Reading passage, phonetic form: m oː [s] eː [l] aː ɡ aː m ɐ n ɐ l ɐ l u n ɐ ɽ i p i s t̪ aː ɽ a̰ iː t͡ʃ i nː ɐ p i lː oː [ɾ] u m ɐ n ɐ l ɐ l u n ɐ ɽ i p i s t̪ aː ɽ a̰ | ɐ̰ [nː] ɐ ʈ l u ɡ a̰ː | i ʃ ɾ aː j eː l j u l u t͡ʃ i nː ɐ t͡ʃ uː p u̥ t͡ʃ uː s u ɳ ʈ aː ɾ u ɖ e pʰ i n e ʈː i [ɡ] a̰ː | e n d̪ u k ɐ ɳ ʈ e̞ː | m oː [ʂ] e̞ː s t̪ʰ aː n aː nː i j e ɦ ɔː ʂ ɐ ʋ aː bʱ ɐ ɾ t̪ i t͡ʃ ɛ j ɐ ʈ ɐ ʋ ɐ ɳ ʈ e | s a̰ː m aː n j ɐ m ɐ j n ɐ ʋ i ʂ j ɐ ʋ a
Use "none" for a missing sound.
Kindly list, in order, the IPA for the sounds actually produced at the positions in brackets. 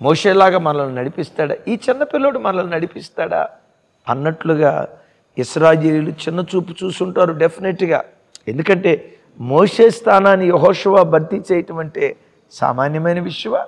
ʂ, l, ɽ, nː, ɡ, ʂ

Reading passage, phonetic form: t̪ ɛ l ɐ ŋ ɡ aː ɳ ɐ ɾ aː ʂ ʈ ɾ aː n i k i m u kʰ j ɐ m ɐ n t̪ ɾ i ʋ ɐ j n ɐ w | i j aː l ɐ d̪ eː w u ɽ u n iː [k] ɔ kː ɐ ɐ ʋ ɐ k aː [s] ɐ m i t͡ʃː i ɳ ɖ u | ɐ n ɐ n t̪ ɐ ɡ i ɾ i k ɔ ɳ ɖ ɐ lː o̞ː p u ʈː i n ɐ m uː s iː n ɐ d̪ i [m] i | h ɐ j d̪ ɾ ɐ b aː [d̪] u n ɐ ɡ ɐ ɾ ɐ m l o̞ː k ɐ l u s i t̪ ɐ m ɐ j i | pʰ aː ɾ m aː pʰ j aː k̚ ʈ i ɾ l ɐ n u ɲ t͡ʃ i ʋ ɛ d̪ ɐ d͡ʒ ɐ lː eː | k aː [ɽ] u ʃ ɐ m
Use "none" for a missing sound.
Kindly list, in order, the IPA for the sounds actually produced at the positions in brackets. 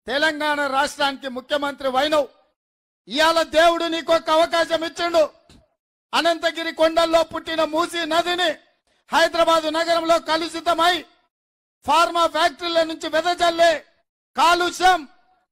k, ʃ, n, d̪, l

